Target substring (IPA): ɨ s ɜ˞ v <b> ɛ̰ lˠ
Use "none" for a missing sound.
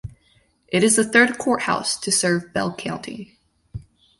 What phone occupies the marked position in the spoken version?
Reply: b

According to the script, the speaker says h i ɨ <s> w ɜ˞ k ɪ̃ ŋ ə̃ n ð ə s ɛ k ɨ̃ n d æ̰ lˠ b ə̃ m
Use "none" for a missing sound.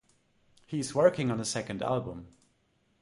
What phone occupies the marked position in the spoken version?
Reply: z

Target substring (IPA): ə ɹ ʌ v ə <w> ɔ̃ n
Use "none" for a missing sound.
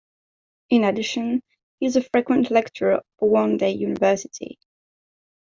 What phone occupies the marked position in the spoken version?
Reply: w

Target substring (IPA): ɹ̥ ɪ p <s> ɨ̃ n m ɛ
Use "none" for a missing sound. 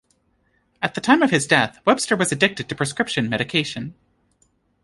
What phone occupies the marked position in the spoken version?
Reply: ʃ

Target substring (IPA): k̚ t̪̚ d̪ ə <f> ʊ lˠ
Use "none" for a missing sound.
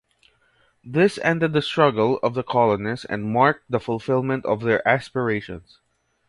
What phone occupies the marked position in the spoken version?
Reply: f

